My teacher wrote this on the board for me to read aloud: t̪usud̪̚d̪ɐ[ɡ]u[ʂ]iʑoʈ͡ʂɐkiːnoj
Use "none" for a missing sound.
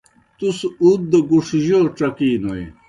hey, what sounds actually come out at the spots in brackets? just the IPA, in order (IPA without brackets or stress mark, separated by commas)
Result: ɡ, ʂ